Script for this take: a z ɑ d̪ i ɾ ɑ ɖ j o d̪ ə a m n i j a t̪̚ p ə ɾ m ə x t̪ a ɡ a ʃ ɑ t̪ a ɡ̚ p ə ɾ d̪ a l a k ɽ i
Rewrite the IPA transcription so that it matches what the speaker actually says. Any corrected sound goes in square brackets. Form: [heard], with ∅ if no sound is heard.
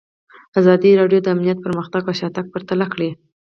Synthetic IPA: a z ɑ d̪ i ɾ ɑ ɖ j o d̪ ə a m n i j a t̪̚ p ə ɾ m ə x t̪ a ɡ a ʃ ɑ t̪ a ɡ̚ p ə ɾ [t̪] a l a k ɽ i